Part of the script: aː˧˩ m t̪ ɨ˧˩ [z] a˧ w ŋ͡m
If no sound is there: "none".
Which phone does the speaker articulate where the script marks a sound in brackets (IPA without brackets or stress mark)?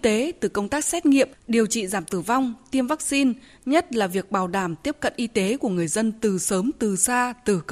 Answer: v